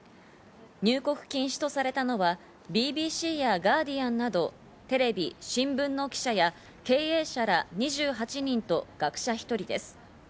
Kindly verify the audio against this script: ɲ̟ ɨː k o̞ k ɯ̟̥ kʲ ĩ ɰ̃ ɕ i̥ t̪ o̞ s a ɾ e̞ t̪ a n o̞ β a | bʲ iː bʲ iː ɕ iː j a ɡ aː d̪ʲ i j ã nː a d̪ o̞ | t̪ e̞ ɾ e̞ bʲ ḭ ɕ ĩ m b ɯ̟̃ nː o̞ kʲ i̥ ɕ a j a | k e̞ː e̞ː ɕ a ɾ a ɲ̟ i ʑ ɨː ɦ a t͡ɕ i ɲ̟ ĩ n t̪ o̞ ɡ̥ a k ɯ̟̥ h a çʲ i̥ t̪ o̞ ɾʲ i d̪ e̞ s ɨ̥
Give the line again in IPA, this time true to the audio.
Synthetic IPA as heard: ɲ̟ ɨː k o̞ k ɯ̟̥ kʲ ĩ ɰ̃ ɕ i̥ t̪ o̞ s a ɾ e̞ t̪ a n o̞ β a | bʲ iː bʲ iː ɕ iː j a ɡ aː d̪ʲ i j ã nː a d̪ o̞ | t̪ e̞ ɾ e̞ bʲ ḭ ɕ ĩ m b ɯ̟̃ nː o̞ kʲ i̥ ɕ a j a | k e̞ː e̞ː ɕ a ɾ a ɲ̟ i ʑ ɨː ɦ a t͡ɕ i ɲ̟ ĩ n t̪ o̞ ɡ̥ a k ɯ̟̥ ɕ a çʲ i̥ t̪ o̞ ɾʲ i d̪ e̞ s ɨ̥